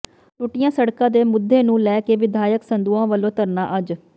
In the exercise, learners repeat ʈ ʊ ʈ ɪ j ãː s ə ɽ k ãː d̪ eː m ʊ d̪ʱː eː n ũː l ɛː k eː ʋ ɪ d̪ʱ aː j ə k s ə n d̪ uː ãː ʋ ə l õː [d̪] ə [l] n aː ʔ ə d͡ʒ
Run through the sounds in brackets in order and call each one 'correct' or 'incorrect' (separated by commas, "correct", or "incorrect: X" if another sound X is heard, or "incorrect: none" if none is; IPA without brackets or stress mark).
incorrect: t̪, incorrect: ɾ